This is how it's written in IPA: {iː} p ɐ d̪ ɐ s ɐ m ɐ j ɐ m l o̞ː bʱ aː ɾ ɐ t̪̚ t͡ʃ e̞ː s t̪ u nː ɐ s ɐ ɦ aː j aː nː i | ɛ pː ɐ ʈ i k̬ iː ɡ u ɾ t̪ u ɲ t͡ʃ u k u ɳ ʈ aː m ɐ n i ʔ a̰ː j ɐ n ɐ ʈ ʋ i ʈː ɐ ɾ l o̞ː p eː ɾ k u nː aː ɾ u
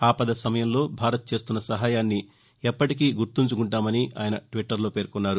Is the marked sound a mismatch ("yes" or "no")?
yes